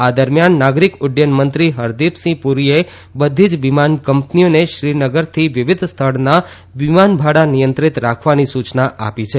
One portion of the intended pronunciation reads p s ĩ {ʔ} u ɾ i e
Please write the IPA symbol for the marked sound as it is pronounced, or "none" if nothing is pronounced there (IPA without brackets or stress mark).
p